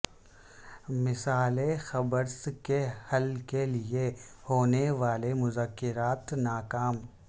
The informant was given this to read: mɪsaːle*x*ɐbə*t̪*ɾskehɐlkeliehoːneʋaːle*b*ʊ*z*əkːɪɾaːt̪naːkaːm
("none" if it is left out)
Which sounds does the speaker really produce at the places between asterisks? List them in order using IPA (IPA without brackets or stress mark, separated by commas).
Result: x, none, m, z